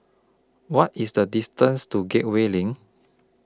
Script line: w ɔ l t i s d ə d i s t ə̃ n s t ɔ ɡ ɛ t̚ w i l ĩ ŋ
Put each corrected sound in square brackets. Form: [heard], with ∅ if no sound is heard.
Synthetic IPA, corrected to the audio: w ɔ [∅] t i s d ə d i s t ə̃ n s t [u] ɡ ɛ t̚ w [e] l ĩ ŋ